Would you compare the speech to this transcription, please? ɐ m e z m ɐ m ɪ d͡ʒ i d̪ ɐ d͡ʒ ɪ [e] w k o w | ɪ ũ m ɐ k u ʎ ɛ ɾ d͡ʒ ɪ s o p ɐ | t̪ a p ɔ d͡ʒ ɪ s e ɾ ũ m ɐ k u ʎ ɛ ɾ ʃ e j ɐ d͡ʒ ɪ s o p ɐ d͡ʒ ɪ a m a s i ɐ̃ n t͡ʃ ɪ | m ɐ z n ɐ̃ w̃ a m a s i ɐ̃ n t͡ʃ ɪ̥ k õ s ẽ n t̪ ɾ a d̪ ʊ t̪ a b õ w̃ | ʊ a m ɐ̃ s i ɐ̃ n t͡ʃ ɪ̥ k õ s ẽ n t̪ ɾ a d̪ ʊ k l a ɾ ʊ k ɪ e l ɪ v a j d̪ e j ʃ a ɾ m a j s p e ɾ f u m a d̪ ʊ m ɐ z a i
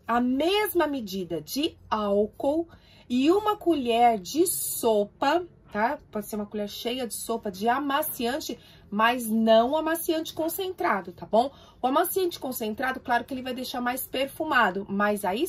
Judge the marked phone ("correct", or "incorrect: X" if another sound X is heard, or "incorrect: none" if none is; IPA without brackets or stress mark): incorrect: a